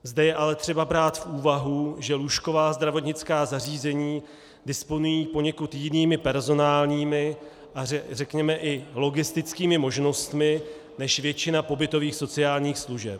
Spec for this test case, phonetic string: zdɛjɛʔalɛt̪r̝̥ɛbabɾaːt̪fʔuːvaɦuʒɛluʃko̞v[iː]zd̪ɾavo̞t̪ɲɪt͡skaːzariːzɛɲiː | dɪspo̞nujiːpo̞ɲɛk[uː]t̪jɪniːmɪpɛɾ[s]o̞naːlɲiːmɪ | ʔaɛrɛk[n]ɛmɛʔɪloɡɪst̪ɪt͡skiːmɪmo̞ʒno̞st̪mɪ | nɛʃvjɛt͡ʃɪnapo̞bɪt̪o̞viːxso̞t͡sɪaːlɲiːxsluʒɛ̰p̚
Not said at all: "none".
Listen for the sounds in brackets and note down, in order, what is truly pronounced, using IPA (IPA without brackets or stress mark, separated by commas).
aː, u, z, ɲ